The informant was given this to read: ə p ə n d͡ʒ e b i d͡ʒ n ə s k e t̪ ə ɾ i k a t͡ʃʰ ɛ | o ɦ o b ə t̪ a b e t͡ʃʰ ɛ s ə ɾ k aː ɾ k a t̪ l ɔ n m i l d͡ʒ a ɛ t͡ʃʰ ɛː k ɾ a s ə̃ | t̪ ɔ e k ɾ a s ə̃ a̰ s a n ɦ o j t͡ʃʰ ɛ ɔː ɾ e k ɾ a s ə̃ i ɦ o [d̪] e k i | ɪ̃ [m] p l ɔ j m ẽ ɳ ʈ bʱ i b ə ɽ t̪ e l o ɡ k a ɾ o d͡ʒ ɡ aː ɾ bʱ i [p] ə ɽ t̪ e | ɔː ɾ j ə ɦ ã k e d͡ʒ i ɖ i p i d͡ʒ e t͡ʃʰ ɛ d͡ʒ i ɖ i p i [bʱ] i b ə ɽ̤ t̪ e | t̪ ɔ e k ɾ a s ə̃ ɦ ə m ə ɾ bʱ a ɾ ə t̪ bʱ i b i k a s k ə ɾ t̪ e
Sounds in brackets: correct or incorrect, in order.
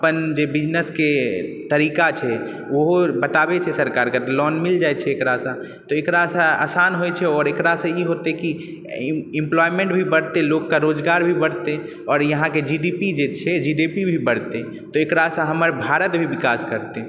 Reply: incorrect, correct, incorrect, correct

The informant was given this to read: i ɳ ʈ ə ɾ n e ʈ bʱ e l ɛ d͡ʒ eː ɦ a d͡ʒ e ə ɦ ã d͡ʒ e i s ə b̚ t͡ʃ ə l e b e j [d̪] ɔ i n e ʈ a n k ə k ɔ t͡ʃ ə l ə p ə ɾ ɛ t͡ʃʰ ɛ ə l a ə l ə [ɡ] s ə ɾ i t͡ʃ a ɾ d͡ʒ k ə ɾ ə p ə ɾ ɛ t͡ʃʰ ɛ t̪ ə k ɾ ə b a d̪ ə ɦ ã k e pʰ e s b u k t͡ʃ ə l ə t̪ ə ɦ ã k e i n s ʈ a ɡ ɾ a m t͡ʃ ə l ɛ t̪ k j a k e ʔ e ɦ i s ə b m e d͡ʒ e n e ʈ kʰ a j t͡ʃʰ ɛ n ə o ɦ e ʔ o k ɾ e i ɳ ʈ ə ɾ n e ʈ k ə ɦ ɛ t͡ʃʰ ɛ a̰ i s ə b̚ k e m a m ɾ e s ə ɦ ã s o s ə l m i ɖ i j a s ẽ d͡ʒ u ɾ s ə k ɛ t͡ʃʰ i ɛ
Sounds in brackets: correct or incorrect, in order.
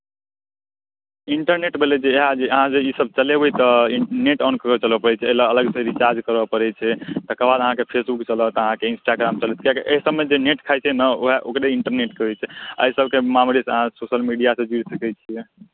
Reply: incorrect, correct

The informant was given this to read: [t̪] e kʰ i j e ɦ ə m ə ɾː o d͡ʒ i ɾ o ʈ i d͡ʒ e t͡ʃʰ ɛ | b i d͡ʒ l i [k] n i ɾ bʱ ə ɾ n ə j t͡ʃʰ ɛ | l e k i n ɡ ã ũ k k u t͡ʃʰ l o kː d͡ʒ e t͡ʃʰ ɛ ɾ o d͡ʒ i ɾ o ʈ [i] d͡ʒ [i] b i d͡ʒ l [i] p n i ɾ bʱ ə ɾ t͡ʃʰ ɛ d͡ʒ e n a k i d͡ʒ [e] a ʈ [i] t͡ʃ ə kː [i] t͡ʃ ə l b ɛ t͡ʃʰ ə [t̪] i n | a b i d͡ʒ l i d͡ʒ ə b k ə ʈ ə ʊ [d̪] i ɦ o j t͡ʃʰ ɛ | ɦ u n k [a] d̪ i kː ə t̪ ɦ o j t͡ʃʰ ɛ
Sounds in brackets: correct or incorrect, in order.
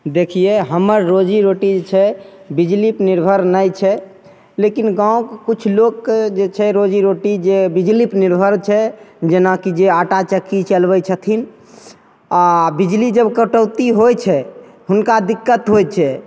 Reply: incorrect, incorrect, correct, incorrect, correct, correct, incorrect, correct, incorrect, incorrect, correct

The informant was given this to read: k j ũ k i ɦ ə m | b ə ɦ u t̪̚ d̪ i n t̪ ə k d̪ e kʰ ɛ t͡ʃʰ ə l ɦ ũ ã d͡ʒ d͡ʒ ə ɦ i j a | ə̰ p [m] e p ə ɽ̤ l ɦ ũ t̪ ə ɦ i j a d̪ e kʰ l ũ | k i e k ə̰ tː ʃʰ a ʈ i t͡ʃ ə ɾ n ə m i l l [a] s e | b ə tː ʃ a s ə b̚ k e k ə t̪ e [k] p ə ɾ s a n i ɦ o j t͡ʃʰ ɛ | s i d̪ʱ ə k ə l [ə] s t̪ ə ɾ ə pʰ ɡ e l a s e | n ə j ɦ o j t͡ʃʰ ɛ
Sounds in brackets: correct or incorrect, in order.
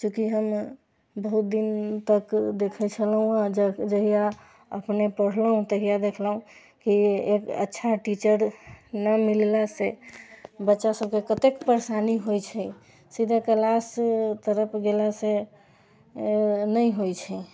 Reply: incorrect, correct, correct, incorrect

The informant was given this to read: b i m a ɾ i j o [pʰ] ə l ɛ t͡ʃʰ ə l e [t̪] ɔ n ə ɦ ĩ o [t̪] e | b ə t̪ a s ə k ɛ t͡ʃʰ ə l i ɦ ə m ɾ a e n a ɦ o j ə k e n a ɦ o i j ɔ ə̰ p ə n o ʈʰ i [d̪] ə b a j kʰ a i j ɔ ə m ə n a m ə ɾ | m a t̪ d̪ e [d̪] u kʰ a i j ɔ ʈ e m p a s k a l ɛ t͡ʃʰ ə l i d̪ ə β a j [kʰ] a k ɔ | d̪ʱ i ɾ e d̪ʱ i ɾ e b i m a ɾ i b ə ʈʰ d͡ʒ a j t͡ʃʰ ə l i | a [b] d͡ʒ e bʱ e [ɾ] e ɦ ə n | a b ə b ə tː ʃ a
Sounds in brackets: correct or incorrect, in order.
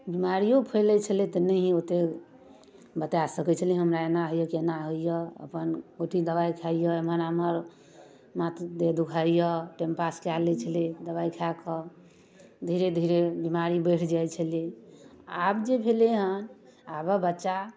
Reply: correct, correct, correct, correct, correct, correct, correct, incorrect

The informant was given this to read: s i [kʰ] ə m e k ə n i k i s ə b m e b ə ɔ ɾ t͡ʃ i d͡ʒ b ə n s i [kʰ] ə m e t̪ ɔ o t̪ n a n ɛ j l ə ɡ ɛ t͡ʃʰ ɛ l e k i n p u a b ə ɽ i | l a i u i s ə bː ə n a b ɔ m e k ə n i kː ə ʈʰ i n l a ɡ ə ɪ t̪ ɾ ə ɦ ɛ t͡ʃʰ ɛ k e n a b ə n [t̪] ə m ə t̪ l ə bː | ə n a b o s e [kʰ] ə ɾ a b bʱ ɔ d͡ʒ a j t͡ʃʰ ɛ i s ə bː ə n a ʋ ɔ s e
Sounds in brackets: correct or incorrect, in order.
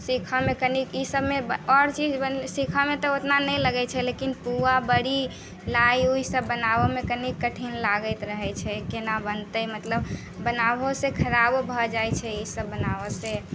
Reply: correct, correct, correct, correct

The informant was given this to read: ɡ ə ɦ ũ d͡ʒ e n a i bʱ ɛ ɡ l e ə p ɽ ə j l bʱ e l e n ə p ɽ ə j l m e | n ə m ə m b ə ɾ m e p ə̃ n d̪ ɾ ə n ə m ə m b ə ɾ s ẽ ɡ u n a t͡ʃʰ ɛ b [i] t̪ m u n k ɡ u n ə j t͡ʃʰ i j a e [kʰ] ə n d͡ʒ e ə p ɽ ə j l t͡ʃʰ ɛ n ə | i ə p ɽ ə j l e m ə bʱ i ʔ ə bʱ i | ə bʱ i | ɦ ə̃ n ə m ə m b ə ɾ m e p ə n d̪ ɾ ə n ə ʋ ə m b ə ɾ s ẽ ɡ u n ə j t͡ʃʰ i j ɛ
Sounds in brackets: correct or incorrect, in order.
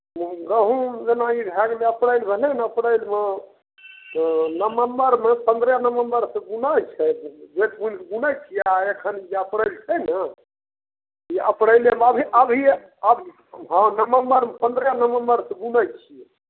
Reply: incorrect, correct

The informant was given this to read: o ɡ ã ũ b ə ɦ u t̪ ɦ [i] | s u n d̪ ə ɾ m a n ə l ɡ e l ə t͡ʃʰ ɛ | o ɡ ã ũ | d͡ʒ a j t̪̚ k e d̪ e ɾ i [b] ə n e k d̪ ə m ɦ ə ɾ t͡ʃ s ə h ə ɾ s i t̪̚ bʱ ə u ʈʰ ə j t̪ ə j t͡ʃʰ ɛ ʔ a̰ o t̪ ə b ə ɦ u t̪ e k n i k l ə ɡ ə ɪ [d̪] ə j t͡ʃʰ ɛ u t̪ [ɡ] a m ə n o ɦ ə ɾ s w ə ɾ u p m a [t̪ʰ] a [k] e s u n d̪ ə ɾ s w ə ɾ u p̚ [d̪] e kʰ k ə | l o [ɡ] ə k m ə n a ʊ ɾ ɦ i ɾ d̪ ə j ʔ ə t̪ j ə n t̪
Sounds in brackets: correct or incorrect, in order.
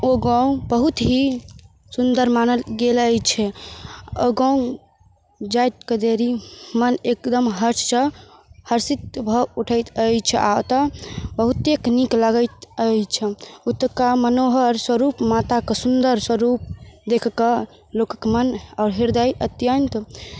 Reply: correct, incorrect, incorrect, incorrect, incorrect, correct, correct, incorrect

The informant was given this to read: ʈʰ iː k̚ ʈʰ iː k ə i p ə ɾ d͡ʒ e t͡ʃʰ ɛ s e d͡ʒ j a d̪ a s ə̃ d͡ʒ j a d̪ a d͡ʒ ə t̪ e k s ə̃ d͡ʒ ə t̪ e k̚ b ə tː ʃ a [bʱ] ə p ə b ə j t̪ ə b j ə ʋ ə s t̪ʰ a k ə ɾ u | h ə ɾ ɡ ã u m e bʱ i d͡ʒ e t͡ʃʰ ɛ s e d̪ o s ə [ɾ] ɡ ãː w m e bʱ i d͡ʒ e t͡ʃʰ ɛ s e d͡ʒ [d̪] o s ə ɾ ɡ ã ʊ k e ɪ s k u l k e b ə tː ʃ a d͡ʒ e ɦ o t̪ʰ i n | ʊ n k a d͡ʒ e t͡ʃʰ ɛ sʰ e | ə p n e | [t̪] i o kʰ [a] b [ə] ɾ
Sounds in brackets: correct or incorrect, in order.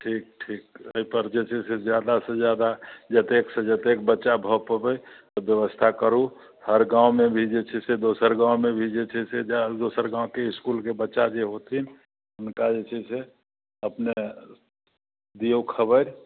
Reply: correct, correct, correct, incorrect, incorrect, correct

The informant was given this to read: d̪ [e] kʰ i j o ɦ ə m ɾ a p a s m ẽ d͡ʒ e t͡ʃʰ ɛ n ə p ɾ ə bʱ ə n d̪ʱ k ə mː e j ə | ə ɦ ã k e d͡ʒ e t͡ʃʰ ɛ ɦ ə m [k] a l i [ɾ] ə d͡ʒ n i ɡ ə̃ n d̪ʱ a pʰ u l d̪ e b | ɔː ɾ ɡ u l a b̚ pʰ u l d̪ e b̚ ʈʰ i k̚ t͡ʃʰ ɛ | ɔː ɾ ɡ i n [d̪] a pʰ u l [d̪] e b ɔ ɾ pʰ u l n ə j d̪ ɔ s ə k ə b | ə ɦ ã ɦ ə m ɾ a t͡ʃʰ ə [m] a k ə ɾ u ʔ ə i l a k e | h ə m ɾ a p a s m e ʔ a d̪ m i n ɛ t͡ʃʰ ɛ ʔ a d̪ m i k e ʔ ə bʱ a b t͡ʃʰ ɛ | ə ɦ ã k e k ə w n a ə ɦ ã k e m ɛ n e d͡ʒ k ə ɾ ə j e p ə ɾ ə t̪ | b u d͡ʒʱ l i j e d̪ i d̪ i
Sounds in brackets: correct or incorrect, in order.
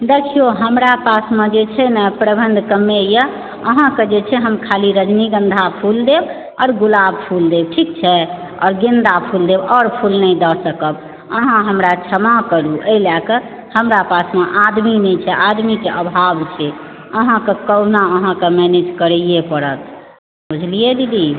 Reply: correct, incorrect, correct, correct, correct, correct

